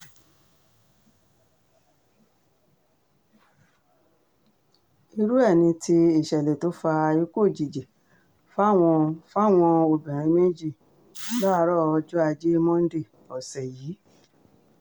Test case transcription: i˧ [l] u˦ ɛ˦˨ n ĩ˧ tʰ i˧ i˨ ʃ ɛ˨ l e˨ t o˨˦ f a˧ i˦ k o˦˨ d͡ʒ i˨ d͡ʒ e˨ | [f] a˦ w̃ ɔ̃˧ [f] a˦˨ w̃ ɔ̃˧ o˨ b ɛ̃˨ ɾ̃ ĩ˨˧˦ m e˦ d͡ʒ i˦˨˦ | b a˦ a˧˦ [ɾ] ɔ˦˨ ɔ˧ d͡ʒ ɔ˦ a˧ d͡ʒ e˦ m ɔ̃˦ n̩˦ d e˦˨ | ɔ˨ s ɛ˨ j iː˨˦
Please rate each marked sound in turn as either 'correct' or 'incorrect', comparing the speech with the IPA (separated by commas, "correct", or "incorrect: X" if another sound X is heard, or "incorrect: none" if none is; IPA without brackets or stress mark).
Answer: incorrect: ɾ, correct, correct, correct